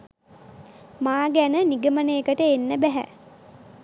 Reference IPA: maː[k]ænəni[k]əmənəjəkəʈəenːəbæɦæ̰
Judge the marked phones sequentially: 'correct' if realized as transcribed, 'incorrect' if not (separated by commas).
incorrect, incorrect